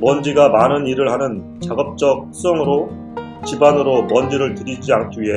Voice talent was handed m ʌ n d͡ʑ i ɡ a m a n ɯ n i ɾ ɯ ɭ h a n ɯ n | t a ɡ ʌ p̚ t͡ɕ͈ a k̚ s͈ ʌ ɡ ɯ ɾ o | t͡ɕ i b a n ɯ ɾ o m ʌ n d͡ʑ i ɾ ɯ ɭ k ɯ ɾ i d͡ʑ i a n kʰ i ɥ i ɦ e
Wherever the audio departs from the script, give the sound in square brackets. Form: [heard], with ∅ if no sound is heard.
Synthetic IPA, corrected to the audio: m ʌ n d͡ʑ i ɡ a m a n ɯ n i ɾ ɯ ɭ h a n ɯ n | [t͡ɕ] a ɡ ʌ p̚ t͡ɕ͈ [ʌ] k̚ s͈ ʌ [ŋ] ɯ ɾ o | t͡ɕ i b a n ɯ ɾ o m ʌ n d͡ʑ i ɾ ɯ ɭ [t] ɯ ɾ i d͡ʑ i a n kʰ i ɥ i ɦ e